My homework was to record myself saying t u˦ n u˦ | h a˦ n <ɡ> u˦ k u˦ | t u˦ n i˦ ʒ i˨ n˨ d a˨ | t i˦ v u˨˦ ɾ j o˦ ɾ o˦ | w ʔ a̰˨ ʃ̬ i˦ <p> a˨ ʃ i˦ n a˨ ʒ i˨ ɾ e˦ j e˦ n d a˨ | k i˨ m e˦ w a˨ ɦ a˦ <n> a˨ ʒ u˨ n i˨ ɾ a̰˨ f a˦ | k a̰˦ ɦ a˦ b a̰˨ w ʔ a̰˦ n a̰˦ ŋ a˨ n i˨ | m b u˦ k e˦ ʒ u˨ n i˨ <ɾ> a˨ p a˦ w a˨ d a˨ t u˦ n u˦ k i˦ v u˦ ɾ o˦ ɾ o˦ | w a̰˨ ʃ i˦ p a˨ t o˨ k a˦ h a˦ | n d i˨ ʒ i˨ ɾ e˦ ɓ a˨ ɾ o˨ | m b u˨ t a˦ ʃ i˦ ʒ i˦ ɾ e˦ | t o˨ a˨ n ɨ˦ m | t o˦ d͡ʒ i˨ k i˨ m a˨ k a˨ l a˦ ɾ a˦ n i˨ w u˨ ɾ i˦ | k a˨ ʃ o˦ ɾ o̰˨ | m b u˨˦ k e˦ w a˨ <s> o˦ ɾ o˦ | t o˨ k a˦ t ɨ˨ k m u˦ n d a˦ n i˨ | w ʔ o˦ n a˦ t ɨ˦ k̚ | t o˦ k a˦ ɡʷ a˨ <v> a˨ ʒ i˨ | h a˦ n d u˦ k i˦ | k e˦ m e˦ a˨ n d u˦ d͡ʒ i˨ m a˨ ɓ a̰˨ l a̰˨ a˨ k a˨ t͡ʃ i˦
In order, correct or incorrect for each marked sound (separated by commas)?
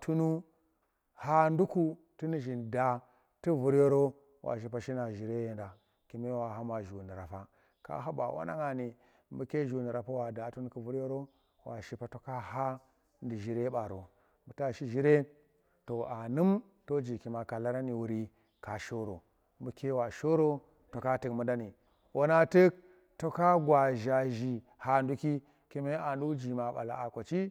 incorrect, correct, incorrect, correct, incorrect, incorrect